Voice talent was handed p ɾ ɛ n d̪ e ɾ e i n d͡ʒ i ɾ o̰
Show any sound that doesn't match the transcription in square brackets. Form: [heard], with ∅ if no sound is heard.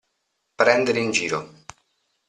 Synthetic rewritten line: p ɾ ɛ n d̪ e ɾ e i n d͡ʒ [iː] ɾ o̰

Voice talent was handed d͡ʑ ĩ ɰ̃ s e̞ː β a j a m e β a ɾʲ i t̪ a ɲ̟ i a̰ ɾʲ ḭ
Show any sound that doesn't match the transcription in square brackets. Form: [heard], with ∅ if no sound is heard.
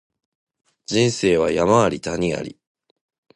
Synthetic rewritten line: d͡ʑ ĩ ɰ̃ s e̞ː β a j a m [a] β a ɾʲ i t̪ a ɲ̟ i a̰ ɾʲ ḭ

